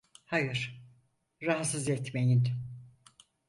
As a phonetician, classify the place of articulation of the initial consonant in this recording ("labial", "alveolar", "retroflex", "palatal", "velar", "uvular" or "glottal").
glottal